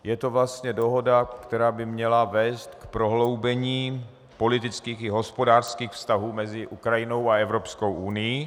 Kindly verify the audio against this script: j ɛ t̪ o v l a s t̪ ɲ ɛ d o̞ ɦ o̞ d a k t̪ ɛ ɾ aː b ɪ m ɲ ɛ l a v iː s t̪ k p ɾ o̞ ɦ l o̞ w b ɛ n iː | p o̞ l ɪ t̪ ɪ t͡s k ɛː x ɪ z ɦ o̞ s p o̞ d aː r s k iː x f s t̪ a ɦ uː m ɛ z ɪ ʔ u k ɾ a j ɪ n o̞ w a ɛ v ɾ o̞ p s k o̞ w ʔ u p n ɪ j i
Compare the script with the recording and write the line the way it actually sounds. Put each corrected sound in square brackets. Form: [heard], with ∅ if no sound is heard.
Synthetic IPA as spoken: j ɛ t̪ o v l a s t̪ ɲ ɛ d o̞ ɦ o̞ d a k t̪ ɛ ɾ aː b ɪ m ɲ ɛ l a v [ɛː] s t̪ k p ɾ o̞ ɦ l o̞ w b ɛ [ɲ] iː | p o̞ l ɪ t̪ ɪ t͡s k [iː] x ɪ [∅] ɦ o̞ s p o̞ d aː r s k iː x f s t̪ a ɦ uː m ɛ z ɪ ʔ u k ɾ a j ɪ n o̞ w a ɛ v ɾ o̞ p s k o̞ w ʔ u [∅] n ɪ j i